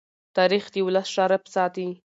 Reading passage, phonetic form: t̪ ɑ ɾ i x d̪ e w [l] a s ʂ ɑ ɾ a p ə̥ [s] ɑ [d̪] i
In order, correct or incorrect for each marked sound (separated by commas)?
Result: correct, correct, incorrect